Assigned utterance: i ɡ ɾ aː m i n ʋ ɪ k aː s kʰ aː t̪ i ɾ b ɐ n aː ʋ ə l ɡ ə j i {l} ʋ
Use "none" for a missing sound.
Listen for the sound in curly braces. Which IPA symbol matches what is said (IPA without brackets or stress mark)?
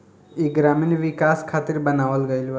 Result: l